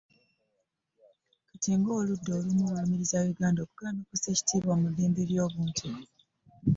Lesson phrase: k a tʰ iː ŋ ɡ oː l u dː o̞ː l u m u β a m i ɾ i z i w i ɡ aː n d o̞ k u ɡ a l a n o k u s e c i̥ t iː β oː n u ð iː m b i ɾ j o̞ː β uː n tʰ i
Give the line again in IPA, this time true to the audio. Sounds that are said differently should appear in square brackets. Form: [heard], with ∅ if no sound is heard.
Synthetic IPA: k a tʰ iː ŋ ɡ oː l u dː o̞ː l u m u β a m i ɾ i z [a] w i ɡ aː n d o̞ k u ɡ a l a n o k u s e c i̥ t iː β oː [m] u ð iː m b i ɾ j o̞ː β uː n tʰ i